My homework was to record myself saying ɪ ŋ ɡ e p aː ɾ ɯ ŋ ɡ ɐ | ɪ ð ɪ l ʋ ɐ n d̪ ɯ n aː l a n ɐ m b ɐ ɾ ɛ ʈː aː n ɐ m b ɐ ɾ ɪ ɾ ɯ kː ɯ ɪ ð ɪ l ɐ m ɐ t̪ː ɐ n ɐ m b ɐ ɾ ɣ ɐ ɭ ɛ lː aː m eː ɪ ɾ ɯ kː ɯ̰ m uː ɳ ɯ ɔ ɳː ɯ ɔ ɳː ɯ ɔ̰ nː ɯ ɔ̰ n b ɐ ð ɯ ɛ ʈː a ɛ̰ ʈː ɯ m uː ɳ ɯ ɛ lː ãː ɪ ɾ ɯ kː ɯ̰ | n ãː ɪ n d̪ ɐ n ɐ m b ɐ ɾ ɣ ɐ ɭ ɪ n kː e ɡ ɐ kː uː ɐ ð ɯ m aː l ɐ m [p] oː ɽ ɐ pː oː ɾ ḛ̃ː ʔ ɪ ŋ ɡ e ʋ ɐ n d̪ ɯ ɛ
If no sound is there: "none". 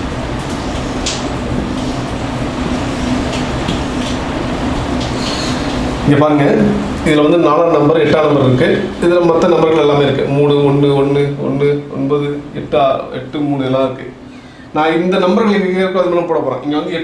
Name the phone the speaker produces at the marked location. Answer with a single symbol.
p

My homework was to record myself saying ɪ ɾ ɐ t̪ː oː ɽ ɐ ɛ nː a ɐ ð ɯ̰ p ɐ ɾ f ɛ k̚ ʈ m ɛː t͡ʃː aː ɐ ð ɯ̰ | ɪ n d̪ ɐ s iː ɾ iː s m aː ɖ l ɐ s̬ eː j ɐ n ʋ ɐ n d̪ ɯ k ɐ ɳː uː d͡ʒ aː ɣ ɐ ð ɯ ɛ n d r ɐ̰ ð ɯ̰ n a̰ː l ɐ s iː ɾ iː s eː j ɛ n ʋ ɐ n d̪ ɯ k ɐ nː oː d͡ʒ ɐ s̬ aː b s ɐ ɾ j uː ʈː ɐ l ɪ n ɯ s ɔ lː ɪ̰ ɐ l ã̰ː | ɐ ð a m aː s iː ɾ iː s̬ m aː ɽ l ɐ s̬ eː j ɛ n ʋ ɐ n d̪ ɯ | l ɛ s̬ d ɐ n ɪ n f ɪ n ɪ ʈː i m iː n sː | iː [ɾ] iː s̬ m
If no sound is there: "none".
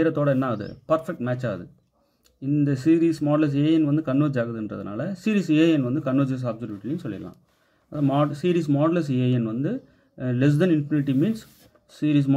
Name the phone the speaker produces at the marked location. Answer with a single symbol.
ɾ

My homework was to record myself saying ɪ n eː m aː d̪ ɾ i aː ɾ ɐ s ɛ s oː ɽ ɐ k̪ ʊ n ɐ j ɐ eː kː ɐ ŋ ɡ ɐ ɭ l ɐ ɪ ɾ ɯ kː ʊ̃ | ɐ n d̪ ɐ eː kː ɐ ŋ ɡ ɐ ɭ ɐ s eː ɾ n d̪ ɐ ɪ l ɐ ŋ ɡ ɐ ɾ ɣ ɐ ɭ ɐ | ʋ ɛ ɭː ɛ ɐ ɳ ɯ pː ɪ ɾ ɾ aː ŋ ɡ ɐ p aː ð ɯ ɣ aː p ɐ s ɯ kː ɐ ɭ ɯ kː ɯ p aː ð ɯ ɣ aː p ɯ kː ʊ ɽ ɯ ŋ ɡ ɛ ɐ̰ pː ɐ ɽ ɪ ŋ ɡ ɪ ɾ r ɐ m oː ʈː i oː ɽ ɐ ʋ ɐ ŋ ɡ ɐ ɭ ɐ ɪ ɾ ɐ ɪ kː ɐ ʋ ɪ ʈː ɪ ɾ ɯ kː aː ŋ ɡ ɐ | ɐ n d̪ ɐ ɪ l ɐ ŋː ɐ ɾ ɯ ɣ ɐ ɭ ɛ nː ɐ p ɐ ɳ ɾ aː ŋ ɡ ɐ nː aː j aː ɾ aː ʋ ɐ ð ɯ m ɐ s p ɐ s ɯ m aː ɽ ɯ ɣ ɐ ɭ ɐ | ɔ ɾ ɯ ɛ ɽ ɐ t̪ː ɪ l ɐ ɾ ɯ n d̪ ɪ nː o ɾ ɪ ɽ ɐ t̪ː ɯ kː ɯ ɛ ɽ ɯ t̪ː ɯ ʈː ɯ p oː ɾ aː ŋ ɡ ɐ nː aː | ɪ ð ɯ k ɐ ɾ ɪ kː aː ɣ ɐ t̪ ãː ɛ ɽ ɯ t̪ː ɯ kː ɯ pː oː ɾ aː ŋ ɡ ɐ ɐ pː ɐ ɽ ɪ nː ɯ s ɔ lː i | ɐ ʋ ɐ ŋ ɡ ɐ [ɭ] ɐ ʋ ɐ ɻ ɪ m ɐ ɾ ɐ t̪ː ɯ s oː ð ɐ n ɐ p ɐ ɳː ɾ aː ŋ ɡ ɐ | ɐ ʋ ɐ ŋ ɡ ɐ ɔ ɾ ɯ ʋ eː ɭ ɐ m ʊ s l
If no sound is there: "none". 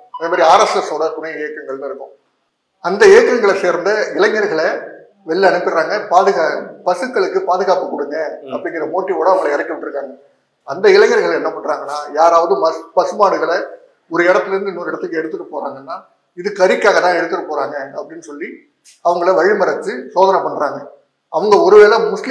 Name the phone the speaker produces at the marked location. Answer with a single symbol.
ɭ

